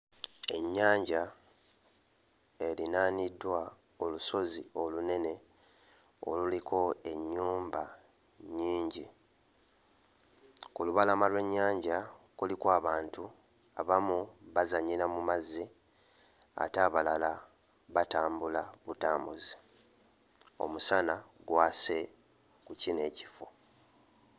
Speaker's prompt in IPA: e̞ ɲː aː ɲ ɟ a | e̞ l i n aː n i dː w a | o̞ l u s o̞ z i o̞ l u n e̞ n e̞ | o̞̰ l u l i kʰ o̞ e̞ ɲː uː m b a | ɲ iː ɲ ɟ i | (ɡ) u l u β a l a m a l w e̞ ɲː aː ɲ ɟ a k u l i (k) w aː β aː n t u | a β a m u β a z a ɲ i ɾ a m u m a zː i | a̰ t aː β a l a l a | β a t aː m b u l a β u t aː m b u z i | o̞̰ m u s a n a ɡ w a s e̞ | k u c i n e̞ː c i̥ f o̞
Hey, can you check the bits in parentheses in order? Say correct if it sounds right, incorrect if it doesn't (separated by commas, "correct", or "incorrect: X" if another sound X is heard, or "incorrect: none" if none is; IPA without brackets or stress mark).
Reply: incorrect: k, correct